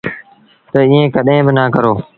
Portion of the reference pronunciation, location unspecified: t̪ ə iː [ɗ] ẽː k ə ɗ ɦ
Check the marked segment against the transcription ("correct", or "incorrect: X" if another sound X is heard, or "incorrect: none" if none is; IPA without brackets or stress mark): incorrect: none